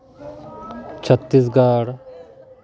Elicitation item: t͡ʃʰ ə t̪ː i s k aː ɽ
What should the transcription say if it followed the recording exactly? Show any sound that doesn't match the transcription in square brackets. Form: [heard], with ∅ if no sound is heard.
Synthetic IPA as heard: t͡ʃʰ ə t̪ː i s [ɡ] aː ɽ